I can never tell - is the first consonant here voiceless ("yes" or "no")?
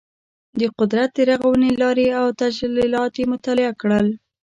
no